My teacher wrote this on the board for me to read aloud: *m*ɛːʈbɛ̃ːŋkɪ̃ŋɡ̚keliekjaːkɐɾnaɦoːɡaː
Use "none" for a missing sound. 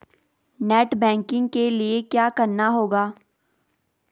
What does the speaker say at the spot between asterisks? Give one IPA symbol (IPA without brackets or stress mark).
n